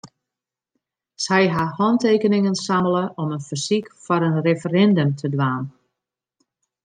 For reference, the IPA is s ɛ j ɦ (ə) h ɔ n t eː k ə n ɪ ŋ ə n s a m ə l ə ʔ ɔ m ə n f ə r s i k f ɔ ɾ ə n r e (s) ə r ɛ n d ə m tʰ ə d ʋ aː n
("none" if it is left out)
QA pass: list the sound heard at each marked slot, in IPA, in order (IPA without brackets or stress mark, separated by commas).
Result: a, f